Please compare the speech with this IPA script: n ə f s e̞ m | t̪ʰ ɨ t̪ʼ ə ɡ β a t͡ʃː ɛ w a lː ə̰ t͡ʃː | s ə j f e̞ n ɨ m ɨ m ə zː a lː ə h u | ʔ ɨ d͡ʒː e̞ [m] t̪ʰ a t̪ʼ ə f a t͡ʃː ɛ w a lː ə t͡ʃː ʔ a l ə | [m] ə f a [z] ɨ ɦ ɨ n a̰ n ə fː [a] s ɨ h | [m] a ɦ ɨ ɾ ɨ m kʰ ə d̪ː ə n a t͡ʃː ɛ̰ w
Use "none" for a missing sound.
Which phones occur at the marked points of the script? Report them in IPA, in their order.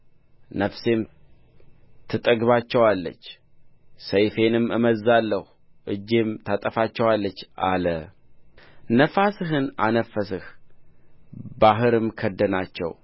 m, n, s, ə, b

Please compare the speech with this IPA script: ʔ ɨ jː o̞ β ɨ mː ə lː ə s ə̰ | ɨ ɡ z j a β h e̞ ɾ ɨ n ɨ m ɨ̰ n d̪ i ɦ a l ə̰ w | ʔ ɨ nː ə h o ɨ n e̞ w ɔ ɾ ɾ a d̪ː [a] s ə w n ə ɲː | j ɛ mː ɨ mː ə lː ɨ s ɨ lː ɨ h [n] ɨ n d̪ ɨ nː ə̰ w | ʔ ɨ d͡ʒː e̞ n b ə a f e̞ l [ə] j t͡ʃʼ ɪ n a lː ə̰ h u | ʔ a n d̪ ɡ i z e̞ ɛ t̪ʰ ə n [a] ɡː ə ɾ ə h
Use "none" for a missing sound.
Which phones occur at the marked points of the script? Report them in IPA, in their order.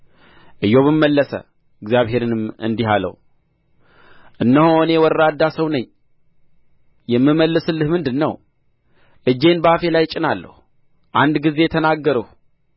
a, m, a, a

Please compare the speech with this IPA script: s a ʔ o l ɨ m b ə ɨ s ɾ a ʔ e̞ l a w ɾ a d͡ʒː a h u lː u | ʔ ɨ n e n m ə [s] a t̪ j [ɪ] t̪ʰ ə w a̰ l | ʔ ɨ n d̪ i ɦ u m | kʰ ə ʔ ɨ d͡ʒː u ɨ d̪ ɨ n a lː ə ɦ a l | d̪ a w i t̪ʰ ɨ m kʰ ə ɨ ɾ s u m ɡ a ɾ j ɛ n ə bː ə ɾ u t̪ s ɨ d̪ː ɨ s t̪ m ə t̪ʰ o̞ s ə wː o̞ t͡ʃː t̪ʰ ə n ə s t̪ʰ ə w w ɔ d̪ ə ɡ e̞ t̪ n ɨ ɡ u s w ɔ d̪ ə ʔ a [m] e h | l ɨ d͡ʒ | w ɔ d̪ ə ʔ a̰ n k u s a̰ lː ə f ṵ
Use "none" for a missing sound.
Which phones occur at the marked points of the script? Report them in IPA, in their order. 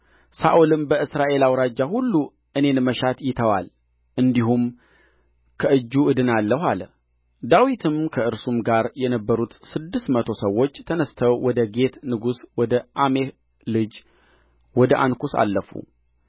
ʃ, ɪ, m

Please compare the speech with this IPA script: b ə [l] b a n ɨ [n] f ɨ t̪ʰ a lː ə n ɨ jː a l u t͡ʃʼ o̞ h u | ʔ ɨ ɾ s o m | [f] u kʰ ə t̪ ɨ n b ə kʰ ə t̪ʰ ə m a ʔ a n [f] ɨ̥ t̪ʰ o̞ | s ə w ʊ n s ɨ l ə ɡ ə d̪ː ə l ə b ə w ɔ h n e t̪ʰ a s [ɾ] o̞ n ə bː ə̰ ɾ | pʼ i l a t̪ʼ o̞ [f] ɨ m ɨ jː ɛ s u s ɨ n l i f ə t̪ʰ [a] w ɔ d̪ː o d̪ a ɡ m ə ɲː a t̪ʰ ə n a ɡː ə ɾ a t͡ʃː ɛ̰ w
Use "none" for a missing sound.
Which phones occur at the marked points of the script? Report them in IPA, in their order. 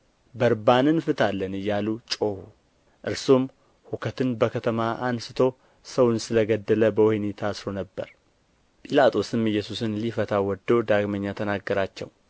ɾ, n, h, s, ɾ, s, a

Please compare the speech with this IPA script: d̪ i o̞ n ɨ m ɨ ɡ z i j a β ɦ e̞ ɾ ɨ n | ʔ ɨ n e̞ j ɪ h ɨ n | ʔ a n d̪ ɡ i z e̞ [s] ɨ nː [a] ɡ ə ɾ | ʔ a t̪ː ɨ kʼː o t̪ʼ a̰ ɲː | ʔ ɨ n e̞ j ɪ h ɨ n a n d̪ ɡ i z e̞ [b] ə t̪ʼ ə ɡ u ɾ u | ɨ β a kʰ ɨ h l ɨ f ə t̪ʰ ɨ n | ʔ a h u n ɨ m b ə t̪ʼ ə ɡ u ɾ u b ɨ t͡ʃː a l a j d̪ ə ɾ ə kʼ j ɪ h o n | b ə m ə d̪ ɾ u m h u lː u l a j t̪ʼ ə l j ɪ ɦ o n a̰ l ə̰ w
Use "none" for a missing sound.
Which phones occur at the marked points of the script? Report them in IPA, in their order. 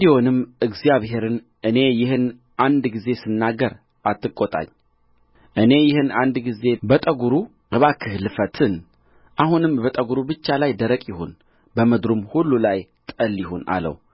s, a, b

